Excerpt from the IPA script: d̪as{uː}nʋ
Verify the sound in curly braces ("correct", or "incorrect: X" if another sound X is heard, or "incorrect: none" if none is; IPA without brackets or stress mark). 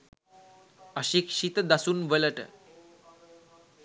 correct